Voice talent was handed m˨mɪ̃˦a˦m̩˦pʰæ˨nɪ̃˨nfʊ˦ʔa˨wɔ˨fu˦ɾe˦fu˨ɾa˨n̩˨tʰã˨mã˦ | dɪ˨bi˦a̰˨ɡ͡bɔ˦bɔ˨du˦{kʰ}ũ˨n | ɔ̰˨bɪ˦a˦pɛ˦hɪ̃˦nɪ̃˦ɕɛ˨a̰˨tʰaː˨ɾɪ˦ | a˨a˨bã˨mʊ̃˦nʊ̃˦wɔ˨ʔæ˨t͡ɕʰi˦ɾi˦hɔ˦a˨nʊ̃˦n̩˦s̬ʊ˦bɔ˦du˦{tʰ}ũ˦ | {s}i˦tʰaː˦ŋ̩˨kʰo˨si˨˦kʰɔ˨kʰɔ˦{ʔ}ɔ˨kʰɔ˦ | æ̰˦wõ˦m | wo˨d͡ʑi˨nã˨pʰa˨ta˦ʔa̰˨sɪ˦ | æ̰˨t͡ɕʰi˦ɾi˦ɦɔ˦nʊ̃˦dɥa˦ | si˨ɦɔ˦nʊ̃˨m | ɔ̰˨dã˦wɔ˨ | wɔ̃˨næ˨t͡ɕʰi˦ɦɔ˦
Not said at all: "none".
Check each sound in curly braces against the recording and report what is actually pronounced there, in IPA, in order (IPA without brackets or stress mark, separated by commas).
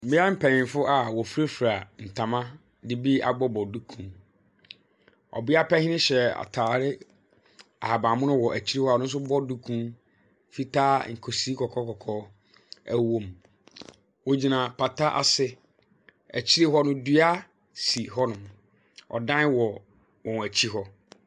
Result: kʰ, kʰ, f, k